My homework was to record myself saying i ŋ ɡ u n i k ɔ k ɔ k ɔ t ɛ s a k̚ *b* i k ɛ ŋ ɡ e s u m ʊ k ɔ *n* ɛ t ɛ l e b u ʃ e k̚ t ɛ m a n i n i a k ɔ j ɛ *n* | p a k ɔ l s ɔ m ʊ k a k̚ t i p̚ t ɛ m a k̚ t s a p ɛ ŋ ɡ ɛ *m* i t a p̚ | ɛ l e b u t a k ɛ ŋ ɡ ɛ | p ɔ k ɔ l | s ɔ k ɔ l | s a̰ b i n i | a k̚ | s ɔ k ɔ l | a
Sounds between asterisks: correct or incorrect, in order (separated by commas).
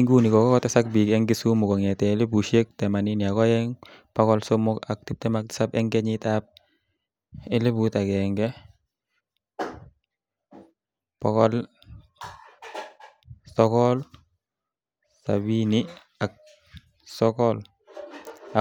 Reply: correct, incorrect, incorrect, incorrect